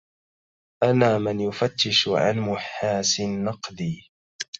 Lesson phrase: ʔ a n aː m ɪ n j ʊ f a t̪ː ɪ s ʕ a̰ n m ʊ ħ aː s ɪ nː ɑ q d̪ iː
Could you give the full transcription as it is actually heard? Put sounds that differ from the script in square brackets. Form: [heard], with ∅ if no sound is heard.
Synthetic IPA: ʔ a n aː m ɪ n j ʊ f a t̪ː ɪ [ʃ] ʕ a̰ n m ʊ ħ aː s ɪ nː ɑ q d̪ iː